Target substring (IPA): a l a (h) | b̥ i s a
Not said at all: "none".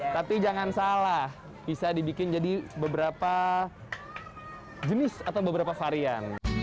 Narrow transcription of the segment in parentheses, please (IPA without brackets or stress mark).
h